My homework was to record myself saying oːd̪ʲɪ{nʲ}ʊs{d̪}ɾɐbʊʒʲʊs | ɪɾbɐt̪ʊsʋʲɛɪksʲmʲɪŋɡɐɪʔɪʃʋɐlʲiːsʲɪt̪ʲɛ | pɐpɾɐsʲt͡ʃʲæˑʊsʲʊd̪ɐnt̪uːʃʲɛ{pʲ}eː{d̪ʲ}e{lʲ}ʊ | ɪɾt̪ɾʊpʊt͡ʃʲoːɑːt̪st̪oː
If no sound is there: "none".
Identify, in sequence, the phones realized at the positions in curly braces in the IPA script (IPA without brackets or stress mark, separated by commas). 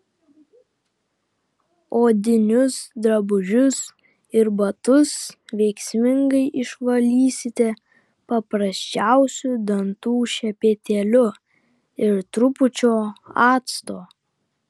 nʲ, d̪, pʲ, t̪ʲ, lʲ